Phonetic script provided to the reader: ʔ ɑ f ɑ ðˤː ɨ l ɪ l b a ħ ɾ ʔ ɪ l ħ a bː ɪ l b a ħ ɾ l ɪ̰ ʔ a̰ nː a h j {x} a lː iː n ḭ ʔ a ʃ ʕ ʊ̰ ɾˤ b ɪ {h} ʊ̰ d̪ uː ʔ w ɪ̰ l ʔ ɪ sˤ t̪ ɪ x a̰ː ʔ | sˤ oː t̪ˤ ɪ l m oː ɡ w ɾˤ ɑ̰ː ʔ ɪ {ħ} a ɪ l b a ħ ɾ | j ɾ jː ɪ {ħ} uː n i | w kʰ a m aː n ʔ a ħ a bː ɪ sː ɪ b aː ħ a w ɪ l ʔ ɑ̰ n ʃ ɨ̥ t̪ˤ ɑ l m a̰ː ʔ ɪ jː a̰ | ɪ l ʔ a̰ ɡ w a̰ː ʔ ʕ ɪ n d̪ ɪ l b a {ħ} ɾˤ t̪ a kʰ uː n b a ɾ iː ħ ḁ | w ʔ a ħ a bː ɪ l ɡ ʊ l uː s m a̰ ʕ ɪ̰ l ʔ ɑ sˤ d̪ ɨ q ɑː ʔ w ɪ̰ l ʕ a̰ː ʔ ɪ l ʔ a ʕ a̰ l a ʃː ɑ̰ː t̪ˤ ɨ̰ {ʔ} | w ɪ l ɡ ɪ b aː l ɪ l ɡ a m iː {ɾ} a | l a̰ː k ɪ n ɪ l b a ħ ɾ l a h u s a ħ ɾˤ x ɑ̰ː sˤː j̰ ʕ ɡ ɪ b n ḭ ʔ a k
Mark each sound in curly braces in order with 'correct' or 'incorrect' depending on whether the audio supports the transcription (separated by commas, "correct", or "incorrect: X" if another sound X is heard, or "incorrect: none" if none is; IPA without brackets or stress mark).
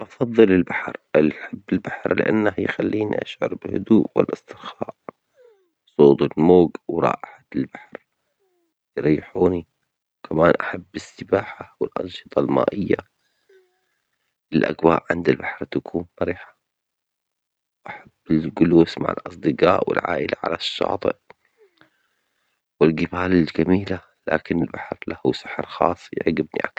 correct, correct, correct, correct, correct, correct, incorrect: l